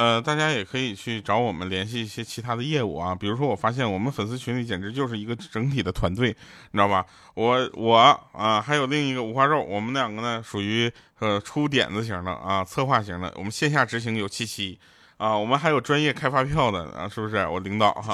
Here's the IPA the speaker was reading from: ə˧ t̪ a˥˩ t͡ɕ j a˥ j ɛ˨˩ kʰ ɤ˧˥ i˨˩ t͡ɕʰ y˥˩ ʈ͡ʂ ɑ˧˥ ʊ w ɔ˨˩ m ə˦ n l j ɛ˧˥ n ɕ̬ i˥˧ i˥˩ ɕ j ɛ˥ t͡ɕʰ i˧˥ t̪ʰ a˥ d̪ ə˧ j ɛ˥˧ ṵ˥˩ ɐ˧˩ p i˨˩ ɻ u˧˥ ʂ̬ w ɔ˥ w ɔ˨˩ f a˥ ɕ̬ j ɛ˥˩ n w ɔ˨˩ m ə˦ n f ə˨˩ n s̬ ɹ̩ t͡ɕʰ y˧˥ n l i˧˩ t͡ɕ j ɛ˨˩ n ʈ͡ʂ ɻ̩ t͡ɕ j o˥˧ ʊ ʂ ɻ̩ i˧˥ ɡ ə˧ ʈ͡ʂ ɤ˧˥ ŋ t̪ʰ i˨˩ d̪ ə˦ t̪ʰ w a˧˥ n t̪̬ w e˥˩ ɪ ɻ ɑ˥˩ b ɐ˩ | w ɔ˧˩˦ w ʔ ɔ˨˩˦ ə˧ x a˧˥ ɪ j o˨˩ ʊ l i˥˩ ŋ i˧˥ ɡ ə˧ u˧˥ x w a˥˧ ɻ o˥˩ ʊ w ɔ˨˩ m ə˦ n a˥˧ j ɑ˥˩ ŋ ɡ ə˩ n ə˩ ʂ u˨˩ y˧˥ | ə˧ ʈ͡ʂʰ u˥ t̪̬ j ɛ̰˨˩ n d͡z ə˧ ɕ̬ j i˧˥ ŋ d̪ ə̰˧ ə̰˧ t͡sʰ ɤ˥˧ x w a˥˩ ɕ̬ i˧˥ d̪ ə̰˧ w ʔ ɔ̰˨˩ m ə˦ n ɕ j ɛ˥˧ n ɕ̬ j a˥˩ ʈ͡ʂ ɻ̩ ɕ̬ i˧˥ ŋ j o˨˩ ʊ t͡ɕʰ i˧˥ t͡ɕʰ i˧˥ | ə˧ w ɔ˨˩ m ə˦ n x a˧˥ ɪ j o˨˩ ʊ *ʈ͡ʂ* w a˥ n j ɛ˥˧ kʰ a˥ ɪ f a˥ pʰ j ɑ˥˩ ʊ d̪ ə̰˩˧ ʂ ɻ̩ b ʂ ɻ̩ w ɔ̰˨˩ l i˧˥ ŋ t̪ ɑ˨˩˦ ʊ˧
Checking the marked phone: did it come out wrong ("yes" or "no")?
no